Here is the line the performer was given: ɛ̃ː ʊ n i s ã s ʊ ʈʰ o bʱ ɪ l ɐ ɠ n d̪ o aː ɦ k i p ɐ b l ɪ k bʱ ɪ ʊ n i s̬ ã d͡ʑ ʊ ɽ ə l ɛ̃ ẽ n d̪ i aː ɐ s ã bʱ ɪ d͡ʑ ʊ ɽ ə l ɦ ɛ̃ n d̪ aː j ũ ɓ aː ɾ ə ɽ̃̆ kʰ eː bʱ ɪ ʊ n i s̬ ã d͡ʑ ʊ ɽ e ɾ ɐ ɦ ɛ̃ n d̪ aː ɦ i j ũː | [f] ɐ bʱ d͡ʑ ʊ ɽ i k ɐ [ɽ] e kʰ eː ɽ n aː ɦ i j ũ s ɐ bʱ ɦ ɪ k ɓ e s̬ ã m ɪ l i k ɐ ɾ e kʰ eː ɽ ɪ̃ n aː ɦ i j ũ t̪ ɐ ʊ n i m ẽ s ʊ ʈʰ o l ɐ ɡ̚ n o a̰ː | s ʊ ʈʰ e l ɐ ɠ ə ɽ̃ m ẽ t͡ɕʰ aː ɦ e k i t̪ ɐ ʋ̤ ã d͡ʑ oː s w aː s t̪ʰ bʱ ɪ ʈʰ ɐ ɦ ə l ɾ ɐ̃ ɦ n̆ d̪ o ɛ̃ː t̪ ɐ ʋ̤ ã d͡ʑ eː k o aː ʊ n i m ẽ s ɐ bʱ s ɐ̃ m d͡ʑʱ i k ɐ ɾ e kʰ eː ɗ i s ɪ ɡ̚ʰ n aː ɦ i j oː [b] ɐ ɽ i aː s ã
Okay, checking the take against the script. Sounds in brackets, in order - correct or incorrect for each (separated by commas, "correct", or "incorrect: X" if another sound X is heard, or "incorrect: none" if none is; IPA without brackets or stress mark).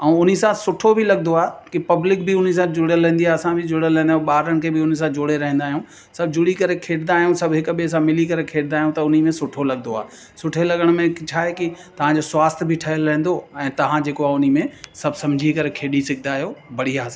incorrect: s, incorrect: ɾ, correct